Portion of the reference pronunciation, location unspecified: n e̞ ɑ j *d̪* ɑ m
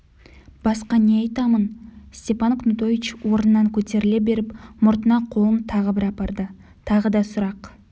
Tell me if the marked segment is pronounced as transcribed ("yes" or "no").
no